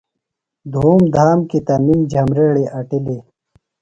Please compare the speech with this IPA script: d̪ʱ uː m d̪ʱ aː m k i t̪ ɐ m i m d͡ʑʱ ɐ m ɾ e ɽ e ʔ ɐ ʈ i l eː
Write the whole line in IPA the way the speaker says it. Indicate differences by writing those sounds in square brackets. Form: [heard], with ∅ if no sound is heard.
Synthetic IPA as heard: d̪ʱ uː m d̪ʱ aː m k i t̪ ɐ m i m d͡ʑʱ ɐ m ɾ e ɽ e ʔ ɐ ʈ i l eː